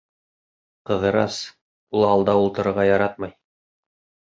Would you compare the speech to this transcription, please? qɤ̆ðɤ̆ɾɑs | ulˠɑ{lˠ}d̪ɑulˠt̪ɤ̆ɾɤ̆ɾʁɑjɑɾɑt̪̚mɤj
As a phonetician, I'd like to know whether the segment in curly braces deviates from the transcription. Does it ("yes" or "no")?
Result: no